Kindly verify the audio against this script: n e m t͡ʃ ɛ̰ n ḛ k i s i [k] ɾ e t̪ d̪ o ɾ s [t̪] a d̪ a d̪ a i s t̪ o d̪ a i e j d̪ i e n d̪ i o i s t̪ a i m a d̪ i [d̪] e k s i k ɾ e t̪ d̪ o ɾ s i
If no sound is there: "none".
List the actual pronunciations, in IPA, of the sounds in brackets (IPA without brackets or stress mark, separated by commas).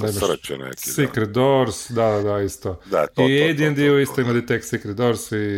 k, d̪, t̪